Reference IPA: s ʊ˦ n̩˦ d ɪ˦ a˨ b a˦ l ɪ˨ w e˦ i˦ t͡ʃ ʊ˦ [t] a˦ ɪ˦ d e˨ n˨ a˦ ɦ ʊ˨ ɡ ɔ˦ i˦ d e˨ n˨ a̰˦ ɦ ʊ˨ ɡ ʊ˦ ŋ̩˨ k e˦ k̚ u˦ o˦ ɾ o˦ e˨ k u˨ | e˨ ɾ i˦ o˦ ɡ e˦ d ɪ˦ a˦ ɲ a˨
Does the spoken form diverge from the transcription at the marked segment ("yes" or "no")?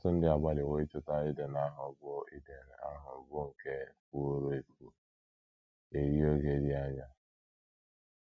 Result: no